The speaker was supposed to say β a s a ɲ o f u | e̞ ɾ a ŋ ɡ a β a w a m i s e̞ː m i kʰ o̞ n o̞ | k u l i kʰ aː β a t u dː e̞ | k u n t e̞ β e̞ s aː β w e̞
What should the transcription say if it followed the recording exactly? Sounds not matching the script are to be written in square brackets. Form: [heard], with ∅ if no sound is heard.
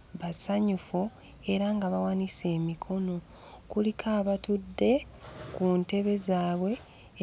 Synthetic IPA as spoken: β a s a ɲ [u] f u | e̞ ɾ a ŋ ɡ a β a w a [n] i s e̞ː m i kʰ o̞ n o̞ | k u l i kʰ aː β a t u dː e̞ | k u n t e̞ β e̞ [z] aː β w e̞